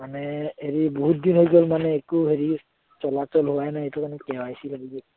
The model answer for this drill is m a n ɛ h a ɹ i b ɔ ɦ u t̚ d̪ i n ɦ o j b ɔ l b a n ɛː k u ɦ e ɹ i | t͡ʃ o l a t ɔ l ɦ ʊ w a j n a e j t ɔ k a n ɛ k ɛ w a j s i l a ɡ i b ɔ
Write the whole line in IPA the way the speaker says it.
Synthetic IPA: m a n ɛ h e ɹ i b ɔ ɦ u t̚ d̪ i n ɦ o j ɡ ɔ l m a n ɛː k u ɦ e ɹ i | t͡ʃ ɔ l a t ɔ l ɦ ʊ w a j n a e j t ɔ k a n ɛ k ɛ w a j s i l a ɡ i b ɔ